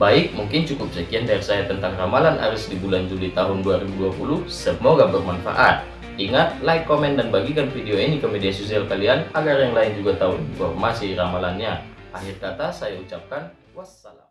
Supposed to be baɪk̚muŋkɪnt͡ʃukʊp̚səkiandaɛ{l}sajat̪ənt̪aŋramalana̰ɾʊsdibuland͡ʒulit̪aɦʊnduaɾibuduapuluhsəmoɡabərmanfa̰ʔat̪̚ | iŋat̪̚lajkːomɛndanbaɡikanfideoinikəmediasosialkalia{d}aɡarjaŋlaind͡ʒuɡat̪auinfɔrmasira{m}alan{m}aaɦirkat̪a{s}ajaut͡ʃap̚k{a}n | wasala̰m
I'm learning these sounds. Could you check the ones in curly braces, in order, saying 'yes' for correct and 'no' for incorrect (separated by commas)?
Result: no, no, yes, no, yes, yes